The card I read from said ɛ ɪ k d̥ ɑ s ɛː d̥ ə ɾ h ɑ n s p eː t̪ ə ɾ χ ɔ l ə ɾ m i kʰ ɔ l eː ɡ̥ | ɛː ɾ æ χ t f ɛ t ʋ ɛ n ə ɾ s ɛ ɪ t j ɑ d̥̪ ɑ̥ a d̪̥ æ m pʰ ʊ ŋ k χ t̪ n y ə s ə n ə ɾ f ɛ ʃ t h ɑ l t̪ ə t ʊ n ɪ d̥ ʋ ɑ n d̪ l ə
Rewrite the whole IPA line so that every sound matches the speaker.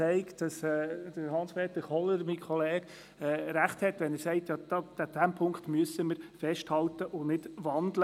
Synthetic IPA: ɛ ɪ k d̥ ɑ s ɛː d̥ ə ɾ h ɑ n s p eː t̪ ə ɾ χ ɔ l ə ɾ m i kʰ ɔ l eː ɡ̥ | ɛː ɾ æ χ t h ɛ t ʋ ɛ n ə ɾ s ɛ ɪ t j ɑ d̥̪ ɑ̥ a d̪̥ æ m pʰ ʊ ŋ k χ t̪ m y ə s ə m ə ɾ f ɛ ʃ t h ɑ l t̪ ə ʔ ʊ n ɪ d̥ ʋ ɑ n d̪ l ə